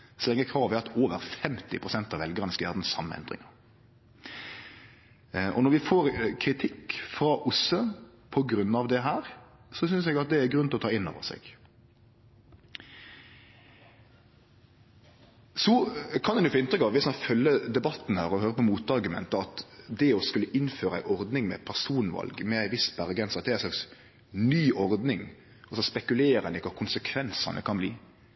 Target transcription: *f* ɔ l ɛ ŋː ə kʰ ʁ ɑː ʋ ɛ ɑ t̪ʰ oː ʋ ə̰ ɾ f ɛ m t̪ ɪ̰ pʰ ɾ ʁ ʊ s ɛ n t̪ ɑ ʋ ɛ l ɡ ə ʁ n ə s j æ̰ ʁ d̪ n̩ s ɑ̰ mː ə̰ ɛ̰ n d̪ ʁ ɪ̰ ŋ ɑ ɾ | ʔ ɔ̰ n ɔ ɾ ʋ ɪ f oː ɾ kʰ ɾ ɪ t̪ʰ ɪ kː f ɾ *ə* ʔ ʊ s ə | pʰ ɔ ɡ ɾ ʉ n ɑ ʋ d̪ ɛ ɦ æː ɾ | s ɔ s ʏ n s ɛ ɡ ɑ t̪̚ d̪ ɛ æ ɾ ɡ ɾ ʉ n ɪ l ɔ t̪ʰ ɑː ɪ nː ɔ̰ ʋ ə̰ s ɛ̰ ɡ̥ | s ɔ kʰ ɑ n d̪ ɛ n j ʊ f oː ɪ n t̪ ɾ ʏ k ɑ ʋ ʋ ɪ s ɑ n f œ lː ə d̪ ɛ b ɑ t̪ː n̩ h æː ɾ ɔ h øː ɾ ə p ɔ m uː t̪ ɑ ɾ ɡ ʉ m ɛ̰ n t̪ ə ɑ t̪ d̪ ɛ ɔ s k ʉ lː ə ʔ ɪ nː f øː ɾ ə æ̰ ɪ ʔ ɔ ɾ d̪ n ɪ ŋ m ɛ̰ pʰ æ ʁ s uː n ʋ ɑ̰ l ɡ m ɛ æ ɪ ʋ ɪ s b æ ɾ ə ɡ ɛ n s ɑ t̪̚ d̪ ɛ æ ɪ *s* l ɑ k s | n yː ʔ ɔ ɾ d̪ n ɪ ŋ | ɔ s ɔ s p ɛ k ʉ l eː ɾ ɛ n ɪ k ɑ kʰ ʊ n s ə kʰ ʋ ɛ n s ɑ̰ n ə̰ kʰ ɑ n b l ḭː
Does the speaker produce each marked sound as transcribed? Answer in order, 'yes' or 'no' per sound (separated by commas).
no, no, yes